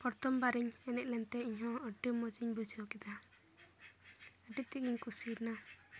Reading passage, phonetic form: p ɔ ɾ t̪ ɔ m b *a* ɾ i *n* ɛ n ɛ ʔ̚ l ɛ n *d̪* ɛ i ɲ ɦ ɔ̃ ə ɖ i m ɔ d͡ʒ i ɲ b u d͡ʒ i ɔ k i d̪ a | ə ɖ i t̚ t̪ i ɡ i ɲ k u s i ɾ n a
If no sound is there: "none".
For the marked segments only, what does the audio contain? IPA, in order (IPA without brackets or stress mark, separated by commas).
a, ɲ, t̪